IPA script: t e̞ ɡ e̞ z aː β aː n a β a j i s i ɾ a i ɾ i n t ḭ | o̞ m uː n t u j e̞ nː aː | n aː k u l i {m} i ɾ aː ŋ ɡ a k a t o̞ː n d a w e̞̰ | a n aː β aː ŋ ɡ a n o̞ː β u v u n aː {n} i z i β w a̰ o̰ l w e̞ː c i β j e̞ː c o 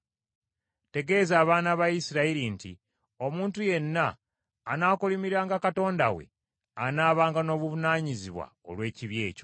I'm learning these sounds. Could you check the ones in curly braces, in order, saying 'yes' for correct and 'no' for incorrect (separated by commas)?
yes, no